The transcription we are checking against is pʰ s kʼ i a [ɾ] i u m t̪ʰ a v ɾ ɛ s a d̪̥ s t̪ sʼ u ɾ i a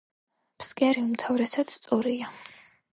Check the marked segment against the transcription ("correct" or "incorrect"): correct